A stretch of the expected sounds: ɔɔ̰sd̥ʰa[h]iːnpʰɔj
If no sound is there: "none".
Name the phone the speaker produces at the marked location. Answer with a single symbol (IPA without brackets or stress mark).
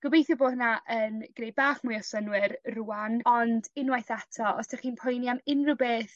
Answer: χ